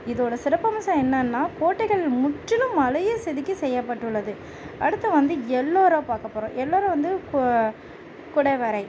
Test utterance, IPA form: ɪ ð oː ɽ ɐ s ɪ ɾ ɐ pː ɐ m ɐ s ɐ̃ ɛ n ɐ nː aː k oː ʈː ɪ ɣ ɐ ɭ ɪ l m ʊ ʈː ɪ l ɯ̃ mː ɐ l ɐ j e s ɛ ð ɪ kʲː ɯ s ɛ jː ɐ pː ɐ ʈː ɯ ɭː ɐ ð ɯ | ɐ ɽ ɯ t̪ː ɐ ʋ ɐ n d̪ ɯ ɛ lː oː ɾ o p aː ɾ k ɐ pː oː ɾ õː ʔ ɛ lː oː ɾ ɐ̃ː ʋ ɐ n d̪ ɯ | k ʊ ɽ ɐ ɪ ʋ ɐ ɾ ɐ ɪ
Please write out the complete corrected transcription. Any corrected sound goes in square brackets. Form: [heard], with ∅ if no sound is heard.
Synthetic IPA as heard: ɪ ð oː ɽ ɐ s ɪ ɾ ɐ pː ɐ m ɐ s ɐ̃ ɛ [nː] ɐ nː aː k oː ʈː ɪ ɣ ɐ ɭ ɪ l m ʊ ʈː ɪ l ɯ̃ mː ɐ l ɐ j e s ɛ ð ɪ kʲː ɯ s ɛ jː ɐ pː ɐ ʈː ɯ ɭː ɐ ð ɯ | ɐ ɽ ɯ t̪ː ɐ ʋ ɐ n d̪ ɯ ɛ lː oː ɾ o p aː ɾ k ɐ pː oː ɾ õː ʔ ɛ lː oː ɾ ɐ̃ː ʋ ɐ n d̪ ɯ | k ʊ ɽ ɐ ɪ ʋ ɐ ɾ ɐ ɪ